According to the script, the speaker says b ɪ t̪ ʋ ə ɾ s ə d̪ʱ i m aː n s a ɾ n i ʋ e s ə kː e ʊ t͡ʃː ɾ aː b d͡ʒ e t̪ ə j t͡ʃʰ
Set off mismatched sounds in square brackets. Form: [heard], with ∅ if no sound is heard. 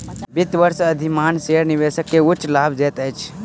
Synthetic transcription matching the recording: b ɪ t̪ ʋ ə ɾ s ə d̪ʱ i m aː n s [e] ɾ n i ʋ e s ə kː e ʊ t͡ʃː [l] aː b d͡ʒ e t̪ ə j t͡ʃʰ